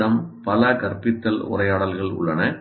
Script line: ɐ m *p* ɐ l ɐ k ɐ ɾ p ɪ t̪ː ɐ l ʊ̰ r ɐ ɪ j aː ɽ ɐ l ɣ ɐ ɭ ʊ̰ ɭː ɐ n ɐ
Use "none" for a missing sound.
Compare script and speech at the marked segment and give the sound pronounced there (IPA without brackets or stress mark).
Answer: p